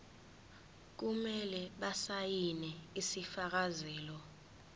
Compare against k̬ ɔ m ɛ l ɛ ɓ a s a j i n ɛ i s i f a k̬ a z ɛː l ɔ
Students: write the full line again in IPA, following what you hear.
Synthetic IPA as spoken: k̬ u m ɛ l ɛ ɓ a s a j i n ɛ i s i f a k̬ a z ɛː l ɔ